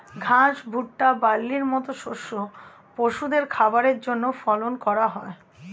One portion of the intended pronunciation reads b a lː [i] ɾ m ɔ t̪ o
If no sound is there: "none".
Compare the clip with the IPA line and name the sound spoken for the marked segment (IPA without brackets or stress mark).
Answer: i